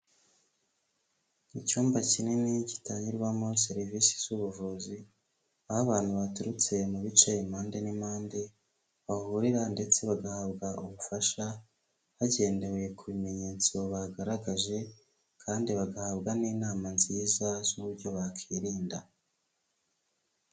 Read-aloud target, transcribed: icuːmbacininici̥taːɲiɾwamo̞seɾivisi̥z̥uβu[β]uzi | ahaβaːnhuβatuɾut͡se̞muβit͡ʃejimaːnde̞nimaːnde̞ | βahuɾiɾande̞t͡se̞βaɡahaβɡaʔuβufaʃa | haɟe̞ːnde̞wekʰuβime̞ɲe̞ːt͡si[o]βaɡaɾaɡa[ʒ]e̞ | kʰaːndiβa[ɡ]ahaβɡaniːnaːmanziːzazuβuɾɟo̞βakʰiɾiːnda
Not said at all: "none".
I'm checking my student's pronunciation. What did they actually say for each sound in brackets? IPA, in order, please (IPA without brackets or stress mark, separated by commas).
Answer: v, o, ʒ, ɡ